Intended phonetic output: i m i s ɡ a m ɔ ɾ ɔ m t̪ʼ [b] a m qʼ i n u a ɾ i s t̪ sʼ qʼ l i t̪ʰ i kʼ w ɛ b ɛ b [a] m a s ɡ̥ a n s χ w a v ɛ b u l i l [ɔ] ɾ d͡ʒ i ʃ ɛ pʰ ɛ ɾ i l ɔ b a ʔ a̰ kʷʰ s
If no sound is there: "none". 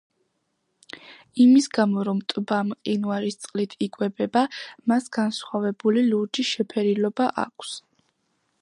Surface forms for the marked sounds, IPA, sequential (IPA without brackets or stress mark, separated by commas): b, a, u